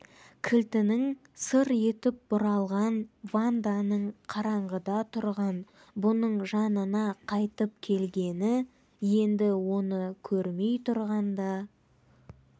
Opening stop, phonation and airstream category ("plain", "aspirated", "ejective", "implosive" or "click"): aspirated